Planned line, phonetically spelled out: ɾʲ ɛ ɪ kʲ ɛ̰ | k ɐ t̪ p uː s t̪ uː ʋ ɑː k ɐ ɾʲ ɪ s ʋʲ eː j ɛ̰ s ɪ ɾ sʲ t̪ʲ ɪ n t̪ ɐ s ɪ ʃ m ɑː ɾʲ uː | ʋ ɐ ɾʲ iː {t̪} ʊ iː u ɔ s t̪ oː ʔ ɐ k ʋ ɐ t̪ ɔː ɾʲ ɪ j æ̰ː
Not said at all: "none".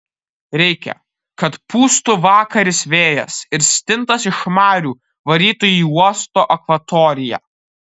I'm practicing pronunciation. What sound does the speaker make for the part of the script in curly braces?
t̪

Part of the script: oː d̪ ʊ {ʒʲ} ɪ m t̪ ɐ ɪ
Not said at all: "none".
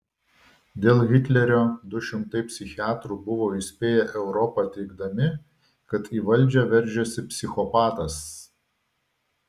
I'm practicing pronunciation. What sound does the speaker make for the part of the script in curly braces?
ʃʲ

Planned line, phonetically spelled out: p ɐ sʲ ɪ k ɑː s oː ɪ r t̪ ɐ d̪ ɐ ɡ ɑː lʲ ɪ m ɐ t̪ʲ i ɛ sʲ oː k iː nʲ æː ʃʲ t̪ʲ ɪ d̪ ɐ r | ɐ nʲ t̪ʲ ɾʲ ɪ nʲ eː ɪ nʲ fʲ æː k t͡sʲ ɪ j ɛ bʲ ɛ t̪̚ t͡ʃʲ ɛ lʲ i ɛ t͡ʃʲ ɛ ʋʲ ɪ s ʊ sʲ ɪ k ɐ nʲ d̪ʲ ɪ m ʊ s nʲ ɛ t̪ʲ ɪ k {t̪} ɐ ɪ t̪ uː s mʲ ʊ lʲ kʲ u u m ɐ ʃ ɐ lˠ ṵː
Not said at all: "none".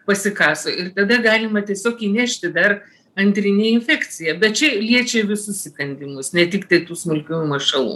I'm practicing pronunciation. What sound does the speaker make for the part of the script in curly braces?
t̪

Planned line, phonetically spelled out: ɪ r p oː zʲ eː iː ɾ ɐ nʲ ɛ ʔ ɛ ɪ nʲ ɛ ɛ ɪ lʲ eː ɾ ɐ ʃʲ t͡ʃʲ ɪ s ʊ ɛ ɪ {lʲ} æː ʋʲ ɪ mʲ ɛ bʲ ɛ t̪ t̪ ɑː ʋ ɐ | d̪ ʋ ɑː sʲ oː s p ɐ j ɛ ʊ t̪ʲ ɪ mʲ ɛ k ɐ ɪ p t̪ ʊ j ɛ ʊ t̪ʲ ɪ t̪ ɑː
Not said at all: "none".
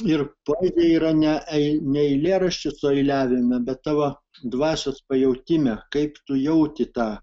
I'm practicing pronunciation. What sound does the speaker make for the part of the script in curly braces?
lʲ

